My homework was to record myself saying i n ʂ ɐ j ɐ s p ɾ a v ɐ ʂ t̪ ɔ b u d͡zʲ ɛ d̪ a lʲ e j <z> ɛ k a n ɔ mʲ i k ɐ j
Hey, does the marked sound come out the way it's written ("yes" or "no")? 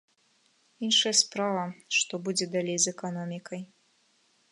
yes